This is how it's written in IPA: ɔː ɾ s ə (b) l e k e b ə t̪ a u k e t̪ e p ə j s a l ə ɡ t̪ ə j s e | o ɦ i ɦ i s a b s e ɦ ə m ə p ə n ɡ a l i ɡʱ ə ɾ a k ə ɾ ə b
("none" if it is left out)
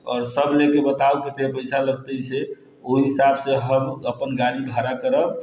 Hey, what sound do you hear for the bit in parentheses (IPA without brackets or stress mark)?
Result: b